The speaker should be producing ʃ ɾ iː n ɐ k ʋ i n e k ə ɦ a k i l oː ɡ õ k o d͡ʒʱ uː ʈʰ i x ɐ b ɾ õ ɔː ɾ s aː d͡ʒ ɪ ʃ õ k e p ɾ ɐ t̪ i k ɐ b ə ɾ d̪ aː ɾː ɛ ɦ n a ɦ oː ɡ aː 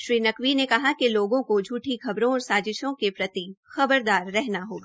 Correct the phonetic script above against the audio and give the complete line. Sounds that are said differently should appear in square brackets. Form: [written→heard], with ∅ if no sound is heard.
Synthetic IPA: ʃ ɾ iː n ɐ k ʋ i n e k [ə→ɐ] ɦ a k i l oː ɡ õ k o d͡ʒʱ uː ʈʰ i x ɐ b ɾ õ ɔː ɾ s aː d͡ʒ ɪ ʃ õ k e p ɾ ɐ t̪ i [k→x] ɐ b ə ɾ d̪ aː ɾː ɛ ɦ n a ɦ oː ɡ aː